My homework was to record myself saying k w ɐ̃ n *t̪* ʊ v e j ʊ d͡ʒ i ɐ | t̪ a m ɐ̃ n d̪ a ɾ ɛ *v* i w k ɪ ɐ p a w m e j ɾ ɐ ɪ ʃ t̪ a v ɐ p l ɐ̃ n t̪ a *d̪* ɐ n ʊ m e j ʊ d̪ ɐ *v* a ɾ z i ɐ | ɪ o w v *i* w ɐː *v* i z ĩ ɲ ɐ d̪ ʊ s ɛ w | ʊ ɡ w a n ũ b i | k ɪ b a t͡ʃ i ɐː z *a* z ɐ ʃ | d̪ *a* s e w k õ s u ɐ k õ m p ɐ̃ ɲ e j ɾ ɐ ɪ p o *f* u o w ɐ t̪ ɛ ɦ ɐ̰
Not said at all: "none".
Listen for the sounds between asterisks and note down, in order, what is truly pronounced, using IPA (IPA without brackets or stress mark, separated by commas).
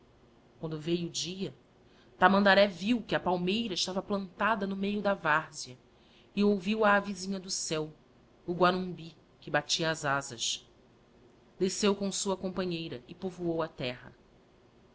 d̪, v, d̪, v, i, v, a, e, v